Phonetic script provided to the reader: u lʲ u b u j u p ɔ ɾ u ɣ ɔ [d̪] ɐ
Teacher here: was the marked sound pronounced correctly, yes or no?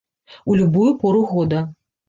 yes